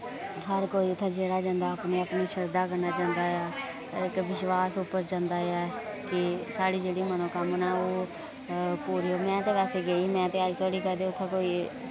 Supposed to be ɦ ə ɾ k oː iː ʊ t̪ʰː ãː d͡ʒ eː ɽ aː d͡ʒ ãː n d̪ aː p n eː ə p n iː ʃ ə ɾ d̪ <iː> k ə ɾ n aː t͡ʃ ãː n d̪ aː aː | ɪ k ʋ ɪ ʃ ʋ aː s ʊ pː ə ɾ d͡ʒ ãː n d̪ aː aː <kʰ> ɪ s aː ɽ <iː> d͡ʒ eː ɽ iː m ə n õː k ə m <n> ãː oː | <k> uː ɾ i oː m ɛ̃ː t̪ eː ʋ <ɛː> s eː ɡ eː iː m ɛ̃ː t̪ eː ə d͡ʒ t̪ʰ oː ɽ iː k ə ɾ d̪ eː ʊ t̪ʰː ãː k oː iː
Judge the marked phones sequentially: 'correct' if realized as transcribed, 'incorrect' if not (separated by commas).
incorrect, incorrect, correct, correct, incorrect, correct